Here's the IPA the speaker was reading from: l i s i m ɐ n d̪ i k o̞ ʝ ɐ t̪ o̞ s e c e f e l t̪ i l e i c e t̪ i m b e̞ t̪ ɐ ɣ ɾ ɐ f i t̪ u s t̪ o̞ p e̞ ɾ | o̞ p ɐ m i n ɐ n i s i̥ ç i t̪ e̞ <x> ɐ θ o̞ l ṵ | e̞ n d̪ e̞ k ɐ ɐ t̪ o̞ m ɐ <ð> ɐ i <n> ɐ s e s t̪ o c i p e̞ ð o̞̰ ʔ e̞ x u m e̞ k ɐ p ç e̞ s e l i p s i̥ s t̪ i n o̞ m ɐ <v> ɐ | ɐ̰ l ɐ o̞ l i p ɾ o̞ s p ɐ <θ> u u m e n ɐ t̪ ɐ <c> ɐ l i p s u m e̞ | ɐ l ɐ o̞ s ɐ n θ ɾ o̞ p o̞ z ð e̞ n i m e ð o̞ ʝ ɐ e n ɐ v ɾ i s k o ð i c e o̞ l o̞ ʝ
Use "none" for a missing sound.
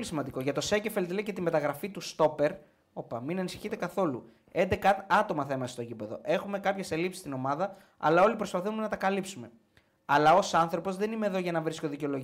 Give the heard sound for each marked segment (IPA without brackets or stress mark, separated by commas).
k, θ, m, ð, θ, k